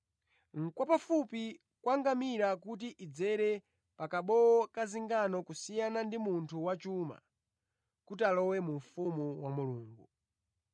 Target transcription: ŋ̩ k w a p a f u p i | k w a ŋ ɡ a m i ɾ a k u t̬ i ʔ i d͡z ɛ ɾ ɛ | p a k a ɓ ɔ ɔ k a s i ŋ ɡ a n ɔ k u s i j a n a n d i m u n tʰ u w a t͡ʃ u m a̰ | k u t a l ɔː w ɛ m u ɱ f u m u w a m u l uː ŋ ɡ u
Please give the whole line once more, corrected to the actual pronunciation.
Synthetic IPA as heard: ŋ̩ k w a p a f u p i | k w a ŋ ɡ a m i ɾ a k u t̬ i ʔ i d͡z ɛ ɾ ɛ | p a k a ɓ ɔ ɔ k a z i ŋ ɡ a n ɔ k u s i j a n a n d i m u n tʰ u w a t͡ʃ u m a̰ | k u t a l ɔ w ɛ m u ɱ f u m u w a m u l uː ŋ ɡ u